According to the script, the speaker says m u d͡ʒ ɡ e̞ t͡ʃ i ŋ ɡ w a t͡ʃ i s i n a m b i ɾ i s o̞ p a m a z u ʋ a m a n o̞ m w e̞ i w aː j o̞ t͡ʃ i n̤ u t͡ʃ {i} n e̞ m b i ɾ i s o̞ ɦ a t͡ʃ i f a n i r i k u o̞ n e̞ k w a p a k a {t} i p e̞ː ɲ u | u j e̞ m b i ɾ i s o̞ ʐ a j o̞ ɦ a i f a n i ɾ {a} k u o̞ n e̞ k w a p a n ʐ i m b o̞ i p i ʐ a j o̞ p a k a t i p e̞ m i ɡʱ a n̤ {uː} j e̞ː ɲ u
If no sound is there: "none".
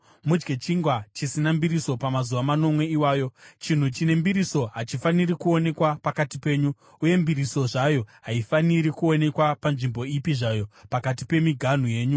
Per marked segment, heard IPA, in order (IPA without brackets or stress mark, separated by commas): i, t, i, u